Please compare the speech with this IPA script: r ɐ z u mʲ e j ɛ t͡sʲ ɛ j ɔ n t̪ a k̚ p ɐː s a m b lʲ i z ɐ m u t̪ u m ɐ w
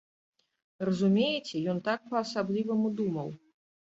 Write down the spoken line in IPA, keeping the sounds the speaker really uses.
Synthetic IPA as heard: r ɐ z u mʲ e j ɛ t͡sʲ ɛ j ɔ n t̪ a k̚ p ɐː s a b lʲ i v ɐ m u d̪ u m ɐ w